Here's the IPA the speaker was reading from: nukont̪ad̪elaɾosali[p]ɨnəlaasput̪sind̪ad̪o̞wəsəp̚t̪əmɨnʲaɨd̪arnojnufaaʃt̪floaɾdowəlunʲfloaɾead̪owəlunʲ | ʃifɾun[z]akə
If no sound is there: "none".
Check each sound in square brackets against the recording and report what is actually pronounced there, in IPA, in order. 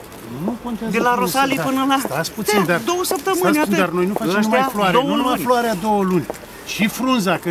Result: p, z

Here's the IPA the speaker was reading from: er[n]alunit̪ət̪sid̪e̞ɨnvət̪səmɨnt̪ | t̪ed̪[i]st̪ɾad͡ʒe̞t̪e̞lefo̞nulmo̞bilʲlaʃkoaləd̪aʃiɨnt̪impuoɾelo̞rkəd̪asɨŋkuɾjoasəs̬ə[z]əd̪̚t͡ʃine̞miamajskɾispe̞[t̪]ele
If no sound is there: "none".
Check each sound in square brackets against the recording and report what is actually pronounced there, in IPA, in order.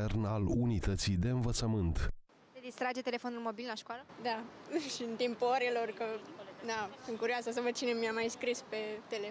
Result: n, i, v, t̪

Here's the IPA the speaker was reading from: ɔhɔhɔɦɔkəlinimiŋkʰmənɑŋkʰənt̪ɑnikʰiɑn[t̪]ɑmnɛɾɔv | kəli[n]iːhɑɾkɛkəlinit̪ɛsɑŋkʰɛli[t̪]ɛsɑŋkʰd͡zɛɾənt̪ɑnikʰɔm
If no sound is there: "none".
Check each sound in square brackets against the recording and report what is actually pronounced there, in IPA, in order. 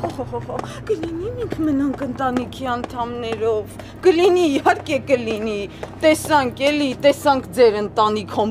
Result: t̪ʰ, n, t̪

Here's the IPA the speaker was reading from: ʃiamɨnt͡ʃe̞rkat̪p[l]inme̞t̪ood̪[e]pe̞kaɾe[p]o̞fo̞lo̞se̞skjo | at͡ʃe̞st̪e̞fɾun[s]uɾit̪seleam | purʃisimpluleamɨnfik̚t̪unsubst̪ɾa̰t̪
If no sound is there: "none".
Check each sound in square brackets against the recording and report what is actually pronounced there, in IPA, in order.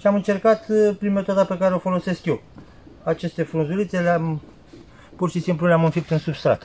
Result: ɾ, a, none, z

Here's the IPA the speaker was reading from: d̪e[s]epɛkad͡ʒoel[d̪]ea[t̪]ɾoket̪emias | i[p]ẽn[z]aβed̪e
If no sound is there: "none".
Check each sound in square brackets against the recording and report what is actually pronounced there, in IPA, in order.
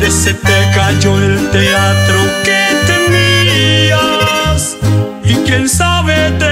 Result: s, t̪, t̪, k, s

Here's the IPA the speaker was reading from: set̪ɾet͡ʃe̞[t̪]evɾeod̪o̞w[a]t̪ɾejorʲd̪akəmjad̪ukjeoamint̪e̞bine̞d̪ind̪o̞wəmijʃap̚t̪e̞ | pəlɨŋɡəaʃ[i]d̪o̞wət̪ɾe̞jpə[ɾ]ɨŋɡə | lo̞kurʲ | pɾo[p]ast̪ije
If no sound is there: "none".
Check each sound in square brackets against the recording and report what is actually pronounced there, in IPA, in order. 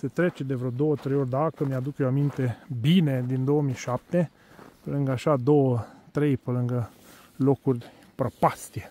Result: d̪, ə, a, l, p

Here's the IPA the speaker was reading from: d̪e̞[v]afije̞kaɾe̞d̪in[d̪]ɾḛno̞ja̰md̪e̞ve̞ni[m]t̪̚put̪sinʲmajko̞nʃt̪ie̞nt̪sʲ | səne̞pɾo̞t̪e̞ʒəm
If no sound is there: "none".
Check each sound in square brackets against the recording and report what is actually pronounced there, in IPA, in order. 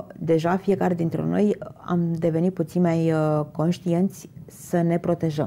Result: ʒ, t̪, none

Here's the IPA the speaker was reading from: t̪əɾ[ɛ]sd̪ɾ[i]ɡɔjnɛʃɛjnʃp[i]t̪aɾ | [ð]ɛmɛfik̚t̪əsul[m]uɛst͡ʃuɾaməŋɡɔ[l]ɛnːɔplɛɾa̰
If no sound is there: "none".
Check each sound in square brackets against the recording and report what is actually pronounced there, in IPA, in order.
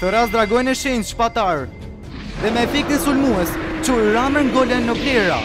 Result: a, a, a, ð, m, l

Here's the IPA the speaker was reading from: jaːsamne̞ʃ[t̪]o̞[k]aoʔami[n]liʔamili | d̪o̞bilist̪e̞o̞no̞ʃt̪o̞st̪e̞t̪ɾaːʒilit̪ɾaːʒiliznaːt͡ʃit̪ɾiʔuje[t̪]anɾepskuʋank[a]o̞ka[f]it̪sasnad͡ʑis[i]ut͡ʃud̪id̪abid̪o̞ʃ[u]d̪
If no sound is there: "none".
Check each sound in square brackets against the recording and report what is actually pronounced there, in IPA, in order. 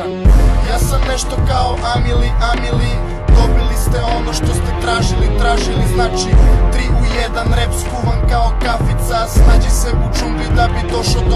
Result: t̪, k, none, d̪, a, f, e, o

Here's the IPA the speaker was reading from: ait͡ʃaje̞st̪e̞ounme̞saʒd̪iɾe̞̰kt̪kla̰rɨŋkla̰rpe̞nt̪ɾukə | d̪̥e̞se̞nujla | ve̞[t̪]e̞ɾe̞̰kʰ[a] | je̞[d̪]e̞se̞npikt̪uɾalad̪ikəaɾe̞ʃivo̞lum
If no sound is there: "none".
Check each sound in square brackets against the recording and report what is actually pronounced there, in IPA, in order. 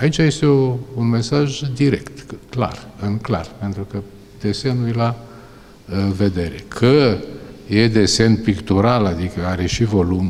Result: d̪, ə, d̪

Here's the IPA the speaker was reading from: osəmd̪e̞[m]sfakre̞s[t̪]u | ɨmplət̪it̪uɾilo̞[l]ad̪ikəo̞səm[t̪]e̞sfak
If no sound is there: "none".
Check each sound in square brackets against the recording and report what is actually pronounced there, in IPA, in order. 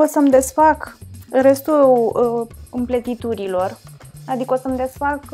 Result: none, t̪, r, d̪

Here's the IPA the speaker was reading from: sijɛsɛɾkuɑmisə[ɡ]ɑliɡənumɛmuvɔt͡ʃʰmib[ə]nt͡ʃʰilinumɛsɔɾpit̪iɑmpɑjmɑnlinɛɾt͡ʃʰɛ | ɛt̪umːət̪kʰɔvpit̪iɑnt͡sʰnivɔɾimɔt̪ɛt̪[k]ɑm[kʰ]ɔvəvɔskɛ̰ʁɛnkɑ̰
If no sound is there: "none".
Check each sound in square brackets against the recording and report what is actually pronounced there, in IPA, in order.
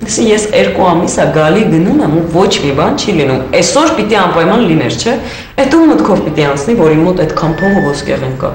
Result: ɡ, ɑ, kʰ, pʰ

